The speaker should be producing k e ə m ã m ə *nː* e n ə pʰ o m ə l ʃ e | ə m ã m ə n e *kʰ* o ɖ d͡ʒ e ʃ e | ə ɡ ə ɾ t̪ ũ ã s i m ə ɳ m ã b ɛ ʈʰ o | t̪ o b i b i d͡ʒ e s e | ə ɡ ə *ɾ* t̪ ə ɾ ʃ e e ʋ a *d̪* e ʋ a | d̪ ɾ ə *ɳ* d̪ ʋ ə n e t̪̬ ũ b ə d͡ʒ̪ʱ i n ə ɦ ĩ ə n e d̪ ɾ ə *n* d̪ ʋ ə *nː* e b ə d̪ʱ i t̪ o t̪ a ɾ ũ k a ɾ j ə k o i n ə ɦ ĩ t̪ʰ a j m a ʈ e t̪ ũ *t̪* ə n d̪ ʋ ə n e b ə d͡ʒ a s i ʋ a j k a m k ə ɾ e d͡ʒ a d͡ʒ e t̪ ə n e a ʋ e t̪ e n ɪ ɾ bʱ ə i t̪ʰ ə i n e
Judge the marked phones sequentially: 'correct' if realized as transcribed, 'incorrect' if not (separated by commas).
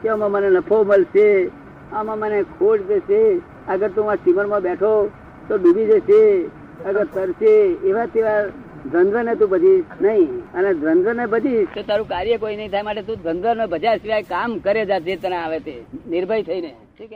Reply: incorrect, correct, correct, incorrect, incorrect, correct, incorrect, incorrect